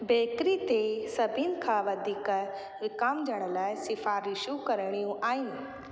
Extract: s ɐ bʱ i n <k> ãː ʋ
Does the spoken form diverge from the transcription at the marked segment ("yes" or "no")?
yes